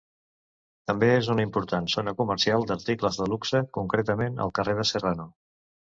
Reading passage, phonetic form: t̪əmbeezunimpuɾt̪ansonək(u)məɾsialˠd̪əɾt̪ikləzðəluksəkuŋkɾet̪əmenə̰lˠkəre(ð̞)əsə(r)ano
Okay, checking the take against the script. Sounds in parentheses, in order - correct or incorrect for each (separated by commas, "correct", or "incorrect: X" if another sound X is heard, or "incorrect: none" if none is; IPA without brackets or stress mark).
correct, correct, correct